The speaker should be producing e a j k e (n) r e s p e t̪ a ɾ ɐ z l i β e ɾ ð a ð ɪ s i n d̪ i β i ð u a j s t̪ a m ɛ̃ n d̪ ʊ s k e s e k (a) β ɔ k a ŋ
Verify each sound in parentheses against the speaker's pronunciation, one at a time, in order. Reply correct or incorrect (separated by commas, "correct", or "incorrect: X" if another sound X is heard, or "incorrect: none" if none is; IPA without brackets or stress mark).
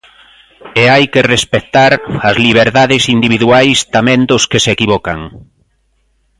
incorrect: none, incorrect: i